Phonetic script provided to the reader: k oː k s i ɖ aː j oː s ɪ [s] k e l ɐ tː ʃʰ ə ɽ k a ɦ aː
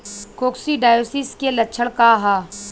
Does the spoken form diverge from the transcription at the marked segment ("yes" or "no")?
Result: no